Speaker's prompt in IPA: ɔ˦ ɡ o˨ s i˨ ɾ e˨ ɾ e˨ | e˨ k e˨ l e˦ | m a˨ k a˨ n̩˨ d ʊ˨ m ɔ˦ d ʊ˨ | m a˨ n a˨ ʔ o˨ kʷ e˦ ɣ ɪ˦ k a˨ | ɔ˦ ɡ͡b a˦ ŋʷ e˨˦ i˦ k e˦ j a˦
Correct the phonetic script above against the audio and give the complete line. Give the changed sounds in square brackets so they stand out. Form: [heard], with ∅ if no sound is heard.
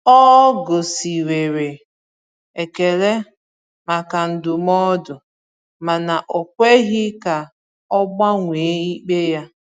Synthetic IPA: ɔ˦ ɡ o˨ s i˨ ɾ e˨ ɾ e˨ | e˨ k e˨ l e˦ | m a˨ k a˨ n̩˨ d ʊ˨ m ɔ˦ d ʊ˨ | m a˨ n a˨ ʔ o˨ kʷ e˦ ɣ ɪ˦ k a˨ | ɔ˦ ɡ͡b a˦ ŋʷ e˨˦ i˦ [k͡p] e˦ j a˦